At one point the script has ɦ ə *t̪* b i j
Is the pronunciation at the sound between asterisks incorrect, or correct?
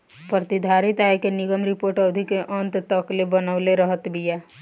correct